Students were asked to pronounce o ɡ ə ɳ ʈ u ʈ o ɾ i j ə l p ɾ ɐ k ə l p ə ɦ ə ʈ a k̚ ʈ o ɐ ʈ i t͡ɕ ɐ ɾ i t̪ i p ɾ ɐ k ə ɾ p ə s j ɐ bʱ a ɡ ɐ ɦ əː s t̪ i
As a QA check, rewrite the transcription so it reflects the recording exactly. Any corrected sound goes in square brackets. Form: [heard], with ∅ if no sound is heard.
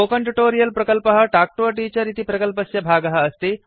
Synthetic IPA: o [k] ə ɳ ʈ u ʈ o ɾ i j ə l p ɾ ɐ k ə l p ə ɦ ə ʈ a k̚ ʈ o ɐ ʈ i t͡ɕ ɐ ɾ i t̪ i p ɾ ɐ k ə [l] p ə s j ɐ bʱ a ɡ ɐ ɦ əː s t̪ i